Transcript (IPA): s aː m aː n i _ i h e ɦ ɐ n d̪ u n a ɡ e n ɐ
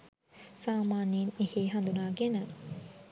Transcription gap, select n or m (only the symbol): n